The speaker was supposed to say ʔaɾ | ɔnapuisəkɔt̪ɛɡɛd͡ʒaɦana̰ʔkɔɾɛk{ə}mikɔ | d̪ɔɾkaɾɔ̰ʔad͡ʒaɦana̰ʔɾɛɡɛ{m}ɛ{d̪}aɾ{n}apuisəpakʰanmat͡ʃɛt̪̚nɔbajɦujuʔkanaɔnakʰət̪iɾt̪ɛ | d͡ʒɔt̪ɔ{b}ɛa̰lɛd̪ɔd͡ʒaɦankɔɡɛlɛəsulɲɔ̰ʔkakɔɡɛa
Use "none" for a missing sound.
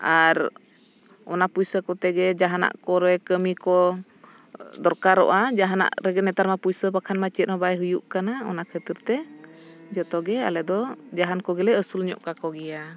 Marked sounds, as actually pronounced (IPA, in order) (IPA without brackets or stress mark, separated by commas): ə, n, t̪, m, ɡ